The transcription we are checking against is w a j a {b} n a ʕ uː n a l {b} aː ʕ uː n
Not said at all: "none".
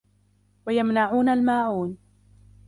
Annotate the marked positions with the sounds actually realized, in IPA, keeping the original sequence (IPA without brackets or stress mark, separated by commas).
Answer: m, m